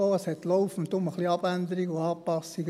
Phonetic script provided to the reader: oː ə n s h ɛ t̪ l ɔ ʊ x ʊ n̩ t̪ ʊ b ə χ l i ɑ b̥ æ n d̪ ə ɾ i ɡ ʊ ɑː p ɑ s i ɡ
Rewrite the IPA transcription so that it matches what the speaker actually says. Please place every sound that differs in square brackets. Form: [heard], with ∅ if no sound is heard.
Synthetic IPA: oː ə [∅] s h ɛ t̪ l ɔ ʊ [f] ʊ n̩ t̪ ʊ [m] ə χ l i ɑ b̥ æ n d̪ ə ɾ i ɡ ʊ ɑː p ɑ s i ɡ